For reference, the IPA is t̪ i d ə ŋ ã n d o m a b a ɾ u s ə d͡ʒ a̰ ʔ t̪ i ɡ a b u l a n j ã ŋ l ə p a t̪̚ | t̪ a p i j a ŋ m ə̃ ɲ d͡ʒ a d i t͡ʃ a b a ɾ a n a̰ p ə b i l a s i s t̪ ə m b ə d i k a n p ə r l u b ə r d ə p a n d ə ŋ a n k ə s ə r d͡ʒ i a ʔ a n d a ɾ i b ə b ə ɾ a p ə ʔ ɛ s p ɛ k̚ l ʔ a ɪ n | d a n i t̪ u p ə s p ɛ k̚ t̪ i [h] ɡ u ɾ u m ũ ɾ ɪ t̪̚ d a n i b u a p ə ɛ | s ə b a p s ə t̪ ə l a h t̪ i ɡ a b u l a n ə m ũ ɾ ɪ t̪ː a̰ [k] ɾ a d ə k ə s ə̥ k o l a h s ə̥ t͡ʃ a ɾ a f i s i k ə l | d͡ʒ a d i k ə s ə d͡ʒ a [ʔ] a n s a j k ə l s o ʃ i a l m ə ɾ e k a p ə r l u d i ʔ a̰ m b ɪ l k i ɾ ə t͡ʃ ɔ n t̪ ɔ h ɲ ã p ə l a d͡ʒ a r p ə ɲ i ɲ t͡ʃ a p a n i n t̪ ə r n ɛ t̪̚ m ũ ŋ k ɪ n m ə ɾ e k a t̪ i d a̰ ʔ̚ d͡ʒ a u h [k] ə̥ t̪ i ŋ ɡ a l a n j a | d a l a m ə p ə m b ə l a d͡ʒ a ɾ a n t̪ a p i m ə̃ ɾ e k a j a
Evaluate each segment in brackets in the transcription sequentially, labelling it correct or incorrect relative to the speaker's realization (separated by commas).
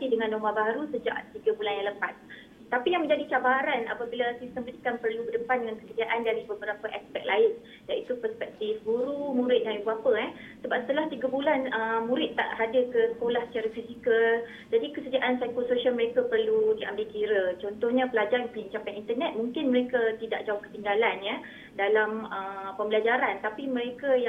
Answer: incorrect, incorrect, correct, correct